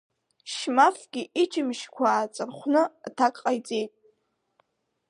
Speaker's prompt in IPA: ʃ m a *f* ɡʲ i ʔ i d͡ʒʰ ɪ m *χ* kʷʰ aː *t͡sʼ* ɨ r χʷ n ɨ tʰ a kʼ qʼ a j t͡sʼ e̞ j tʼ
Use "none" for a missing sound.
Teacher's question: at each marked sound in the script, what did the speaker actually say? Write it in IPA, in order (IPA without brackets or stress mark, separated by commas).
f, ʃ, t͡sʼ